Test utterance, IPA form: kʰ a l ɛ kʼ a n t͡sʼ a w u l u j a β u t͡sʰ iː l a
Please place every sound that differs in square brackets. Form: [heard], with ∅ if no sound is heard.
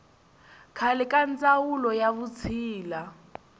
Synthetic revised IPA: kʰ a l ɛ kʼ a n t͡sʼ a w u l [ɔ] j a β u t͡sʰ iː l a